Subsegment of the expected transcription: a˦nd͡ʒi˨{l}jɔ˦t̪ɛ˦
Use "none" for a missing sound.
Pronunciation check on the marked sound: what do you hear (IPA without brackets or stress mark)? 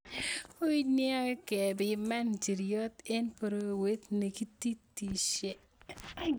ɾ